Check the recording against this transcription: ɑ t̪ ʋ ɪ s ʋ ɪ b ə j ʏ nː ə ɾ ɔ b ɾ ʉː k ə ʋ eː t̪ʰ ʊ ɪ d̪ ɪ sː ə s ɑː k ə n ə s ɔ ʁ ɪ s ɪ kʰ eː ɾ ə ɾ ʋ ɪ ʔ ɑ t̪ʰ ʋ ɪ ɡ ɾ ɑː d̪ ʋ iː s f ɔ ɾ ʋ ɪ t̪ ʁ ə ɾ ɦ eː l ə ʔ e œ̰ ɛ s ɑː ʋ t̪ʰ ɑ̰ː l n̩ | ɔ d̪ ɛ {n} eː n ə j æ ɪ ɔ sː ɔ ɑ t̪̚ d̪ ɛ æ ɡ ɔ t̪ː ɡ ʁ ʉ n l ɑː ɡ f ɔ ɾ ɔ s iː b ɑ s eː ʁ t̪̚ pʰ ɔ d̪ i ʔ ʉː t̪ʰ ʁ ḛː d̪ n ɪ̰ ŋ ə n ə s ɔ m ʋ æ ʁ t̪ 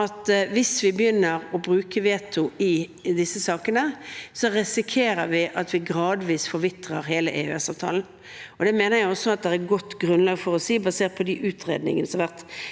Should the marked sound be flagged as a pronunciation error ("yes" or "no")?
yes